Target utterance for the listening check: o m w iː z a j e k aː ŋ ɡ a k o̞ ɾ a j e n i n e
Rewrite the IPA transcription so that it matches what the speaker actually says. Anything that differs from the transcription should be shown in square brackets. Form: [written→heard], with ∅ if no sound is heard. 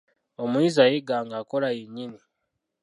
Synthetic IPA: o m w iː z a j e [k→ɡ] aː ŋ ɡ a k o̞ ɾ a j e [n→ɲ] i n [e→i]